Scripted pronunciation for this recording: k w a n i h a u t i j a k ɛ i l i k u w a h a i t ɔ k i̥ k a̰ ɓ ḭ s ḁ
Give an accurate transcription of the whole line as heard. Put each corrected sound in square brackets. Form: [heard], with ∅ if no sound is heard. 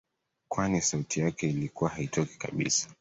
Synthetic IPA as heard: k w a n i [s] a u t i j a k ɛ i l i k u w a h a i t ɔ k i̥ k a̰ ɓ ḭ s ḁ